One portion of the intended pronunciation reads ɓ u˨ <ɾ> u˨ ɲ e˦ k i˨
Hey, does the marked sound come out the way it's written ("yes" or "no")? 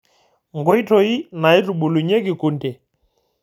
no